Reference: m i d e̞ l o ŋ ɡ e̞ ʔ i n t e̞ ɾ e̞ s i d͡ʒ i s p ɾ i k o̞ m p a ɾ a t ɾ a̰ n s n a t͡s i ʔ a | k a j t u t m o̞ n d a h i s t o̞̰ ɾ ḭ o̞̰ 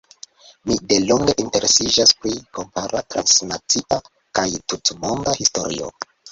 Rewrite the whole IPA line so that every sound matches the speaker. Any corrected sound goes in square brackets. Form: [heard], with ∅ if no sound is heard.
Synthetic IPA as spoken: m i d e̞ l o ŋ ɡ e̞ ʔ i n t e̞ ɾ e̞ s i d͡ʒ [a] s p ɾ i k o̞ m p a ɾ a t ɾ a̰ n s n a t͡s i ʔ a | k a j t u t m o̞ n d a h i s t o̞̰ ɾ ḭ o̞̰